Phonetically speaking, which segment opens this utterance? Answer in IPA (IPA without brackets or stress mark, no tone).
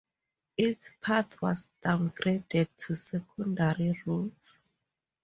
i